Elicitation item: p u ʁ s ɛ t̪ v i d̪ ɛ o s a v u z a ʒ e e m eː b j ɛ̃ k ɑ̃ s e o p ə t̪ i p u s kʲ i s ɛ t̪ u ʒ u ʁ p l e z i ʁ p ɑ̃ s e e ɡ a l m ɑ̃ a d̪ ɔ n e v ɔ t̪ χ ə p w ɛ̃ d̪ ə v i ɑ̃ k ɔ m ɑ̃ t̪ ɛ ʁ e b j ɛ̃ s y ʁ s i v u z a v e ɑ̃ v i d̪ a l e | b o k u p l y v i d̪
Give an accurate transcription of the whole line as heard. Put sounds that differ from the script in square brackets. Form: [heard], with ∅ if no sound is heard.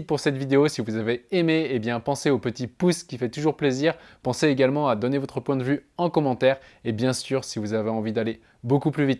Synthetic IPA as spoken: p u ʁ s ɛ t̪ v i d̪ [e] o s [i] v u z a [v] e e m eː b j ɛ̃ [p] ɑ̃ s e o p ə t̪ i p u s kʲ i [f] ɛ t̪ u ʒ u ʁ p l e z i ʁ p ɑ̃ s e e ɡ a l m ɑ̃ a d̪ ɔ n e v ɔ t̪ χ ə p w ɛ̃ d̪ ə v [y] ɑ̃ k ɔ m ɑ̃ t̪ ɛ ʁ e b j ɛ̃ s y ʁ s i v u z a v e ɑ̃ v i d̪ a l e | b o k u p l y v i [t̪]